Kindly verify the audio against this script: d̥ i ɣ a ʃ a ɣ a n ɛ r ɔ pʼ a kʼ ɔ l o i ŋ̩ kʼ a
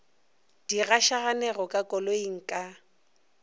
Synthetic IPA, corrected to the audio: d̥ i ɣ a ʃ a ɣ a n ɛ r ɔ kʼ a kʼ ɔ l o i ŋ̩ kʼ a